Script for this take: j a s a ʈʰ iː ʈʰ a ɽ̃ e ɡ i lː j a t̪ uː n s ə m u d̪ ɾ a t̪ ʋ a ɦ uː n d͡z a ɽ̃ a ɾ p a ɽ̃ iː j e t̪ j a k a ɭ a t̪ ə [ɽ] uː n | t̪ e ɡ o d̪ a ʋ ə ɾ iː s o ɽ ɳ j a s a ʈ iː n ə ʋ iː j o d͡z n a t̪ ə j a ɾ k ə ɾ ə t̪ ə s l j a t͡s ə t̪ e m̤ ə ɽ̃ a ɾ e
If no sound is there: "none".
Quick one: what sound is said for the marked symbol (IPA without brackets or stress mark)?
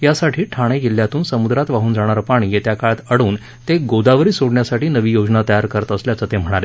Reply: ɽ